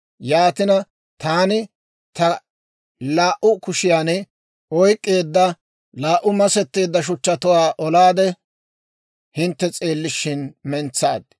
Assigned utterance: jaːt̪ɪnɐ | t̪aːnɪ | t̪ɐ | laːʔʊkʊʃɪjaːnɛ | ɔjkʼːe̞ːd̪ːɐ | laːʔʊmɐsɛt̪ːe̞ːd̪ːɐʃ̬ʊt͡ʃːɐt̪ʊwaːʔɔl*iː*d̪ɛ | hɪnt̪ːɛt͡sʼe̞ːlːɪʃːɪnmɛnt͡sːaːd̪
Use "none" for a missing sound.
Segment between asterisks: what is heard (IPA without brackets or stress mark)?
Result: aː